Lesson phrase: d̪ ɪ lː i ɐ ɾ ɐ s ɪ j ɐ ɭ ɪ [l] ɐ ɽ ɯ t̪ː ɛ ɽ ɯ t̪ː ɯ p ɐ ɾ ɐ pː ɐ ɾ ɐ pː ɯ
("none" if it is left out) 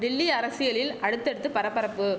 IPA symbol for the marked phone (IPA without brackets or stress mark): l